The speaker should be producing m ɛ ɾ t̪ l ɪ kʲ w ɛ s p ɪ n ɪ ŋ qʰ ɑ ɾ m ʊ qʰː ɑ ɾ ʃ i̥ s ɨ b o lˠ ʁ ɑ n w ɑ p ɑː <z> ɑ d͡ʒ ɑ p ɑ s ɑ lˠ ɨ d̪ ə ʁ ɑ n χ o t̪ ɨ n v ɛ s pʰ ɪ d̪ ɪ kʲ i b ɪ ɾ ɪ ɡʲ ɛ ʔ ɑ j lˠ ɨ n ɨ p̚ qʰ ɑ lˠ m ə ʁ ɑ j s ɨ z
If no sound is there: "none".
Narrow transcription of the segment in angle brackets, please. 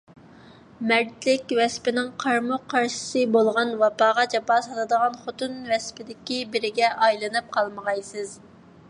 ʁ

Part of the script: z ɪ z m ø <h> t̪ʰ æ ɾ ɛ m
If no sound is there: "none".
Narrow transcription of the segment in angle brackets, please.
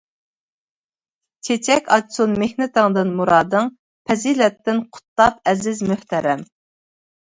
h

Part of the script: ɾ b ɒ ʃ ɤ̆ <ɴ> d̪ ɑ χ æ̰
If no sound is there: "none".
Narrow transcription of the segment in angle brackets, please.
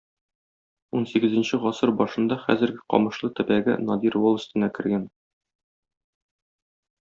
n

